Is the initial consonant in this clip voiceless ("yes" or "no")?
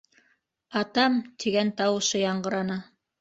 yes